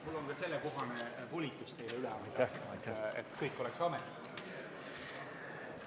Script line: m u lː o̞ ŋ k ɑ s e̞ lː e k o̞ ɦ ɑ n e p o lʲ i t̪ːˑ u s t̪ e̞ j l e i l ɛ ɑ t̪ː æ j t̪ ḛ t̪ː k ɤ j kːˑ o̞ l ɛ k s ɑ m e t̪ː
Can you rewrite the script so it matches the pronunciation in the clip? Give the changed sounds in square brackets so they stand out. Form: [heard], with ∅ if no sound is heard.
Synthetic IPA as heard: m u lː o̞ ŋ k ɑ s e̞ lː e k o̞ ɦ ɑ n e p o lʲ i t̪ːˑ u s t̪ e̞ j l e [y] l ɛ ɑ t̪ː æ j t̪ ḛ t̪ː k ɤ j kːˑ o̞ l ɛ k s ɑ m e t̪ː